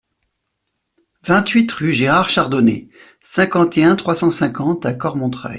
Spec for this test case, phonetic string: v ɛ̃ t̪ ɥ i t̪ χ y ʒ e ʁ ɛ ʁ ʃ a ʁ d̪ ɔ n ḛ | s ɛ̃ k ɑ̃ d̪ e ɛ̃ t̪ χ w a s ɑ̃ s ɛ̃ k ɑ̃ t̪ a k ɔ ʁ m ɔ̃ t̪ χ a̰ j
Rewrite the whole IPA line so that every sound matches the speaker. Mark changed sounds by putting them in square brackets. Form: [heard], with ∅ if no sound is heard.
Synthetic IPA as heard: v ɛ̃ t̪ ɥ i t̪ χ y ʒ e ʁ [a] ʁ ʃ a ʁ d̪ ɔ n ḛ | s ɛ̃ k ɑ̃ [t̪] e ɛ̃ t̪ χ w a s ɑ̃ s ɛ̃ k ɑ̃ t̪ a k ɔ ʁ m ɔ̃ t̪ χ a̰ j